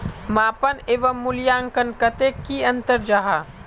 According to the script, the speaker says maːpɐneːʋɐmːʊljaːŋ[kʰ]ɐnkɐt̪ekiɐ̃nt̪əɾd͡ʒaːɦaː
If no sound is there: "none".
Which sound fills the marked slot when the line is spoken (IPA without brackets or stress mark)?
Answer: k